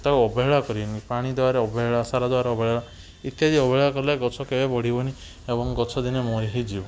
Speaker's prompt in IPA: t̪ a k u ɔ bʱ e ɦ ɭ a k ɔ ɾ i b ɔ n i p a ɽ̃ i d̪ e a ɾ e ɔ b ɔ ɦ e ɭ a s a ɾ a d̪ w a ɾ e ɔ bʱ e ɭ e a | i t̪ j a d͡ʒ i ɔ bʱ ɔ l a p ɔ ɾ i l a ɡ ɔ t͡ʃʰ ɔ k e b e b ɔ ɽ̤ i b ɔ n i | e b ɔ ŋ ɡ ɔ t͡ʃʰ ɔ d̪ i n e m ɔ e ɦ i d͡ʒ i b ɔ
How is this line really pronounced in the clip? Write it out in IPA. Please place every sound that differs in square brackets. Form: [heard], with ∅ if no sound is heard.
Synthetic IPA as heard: t̪ a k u ɔ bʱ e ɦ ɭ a k ɔ ɾ i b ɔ n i p a ɽ̃ i d̪ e a ɾ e ɔ b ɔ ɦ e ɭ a s a ɾ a d̪ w a ɾ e ɔ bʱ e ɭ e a | i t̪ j a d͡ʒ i ɔ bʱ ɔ [ɭ] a [k] ɔ ɾ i l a ɡ ɔ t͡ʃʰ ɔ k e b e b ɔ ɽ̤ i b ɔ n i | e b ɔ ŋ ɡ ɔ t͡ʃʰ ɔ d̪ i n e m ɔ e ɦ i d͡ʒ i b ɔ